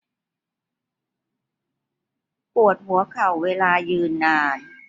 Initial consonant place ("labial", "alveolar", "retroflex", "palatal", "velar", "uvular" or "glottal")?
labial